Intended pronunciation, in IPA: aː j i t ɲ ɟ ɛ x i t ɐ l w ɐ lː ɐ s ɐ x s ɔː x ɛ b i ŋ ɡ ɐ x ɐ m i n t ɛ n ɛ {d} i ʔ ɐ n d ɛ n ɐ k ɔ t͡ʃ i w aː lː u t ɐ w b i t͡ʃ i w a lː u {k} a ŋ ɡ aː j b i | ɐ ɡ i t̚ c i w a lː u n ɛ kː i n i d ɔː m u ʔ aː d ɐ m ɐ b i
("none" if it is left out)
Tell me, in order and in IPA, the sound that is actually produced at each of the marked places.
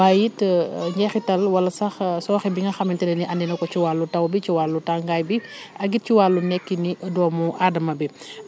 n, t

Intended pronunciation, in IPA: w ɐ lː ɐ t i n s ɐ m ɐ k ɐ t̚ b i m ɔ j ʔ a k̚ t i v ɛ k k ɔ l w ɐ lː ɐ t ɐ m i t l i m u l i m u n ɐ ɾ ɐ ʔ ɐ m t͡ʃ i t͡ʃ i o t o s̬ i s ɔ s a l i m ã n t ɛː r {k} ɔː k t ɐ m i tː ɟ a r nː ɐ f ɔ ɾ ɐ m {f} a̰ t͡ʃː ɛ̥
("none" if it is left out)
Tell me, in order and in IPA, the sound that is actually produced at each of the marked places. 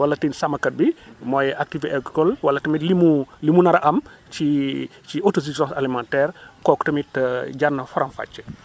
k, f

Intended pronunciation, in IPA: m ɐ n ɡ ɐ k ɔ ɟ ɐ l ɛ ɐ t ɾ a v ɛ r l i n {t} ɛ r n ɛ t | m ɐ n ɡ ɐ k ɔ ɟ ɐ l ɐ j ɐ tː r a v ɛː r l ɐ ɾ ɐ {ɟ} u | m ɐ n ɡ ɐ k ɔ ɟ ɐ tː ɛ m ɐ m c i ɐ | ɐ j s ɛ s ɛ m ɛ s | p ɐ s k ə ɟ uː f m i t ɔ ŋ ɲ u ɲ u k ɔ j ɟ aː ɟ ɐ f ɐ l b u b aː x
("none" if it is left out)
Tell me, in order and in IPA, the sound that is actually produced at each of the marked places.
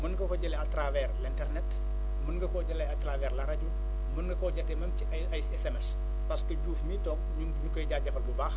t, ɟ

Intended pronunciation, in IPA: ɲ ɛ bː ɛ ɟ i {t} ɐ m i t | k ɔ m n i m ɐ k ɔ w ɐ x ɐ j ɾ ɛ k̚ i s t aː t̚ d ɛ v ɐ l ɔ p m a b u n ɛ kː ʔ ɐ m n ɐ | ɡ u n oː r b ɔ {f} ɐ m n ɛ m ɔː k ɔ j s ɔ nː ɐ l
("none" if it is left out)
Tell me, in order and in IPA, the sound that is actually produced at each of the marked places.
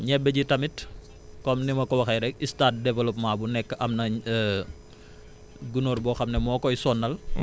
t, x

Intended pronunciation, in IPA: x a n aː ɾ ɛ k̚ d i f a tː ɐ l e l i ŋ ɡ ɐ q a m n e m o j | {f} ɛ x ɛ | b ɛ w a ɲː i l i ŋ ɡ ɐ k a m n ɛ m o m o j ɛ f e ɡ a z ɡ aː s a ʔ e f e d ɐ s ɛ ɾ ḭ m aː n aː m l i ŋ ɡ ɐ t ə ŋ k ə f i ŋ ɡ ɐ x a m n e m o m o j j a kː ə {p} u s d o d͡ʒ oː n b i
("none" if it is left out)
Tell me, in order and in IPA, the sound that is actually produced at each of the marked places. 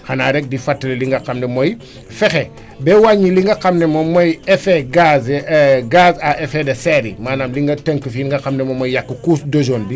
f, k

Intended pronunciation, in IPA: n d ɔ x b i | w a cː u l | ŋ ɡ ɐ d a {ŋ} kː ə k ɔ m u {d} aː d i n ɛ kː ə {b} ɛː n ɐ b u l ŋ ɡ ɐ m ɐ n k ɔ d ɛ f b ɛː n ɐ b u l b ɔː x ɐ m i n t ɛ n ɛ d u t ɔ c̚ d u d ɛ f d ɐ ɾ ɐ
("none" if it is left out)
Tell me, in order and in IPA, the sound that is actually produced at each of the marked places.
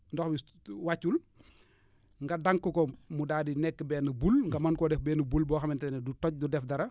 ŋ, d, b

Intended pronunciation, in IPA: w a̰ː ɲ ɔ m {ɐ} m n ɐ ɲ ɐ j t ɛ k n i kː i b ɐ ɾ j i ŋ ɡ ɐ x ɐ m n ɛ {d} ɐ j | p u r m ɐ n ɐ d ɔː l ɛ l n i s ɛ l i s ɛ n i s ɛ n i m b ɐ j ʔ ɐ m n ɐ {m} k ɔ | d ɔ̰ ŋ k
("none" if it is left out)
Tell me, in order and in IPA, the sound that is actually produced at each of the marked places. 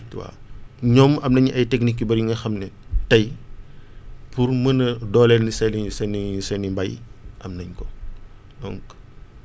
ɐ, t, ɲ

